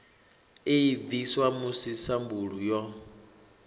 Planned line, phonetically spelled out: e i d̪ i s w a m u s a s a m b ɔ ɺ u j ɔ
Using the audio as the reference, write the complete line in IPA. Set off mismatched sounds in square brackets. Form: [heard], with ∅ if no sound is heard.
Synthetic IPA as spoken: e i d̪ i s w a m u s [i] s a m b [u] ɺ u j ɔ

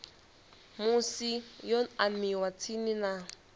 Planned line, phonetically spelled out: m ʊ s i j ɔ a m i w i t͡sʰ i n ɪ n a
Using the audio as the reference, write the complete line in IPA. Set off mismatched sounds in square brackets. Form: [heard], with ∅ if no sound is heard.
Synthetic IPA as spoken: m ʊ s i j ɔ a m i w [a] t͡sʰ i n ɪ n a

